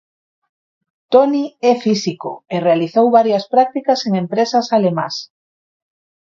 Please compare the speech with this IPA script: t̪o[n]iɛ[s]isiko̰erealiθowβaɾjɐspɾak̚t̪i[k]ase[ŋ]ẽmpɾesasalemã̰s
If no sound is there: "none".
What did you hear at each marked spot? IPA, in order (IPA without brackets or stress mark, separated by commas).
n, f, k, ŋ